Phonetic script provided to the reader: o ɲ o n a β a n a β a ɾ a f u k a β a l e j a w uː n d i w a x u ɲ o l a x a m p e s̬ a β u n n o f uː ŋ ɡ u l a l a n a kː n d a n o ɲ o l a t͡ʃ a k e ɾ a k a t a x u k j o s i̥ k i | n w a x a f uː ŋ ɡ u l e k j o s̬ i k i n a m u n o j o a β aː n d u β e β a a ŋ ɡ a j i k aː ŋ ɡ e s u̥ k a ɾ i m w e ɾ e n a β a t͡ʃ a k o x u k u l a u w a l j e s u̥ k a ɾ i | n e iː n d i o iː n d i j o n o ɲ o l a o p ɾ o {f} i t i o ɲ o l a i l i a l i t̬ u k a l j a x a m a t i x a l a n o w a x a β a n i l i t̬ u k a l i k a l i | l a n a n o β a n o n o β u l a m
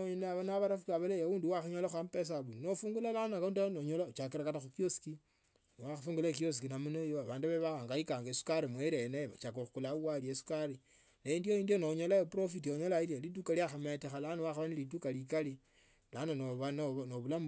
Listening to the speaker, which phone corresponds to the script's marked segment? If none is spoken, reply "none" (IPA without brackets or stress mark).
f